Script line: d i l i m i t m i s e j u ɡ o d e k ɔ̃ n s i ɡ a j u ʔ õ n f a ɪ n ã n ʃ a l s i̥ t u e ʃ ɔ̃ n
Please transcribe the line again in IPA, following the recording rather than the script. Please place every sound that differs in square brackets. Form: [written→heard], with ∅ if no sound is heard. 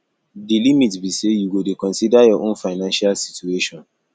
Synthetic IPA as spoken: d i l i m i t [m→b] i s e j u ɡ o d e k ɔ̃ n s i [ɡ→d] a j [u→ɔ] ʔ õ n f a ɪ n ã n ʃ a l s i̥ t u e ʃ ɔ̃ n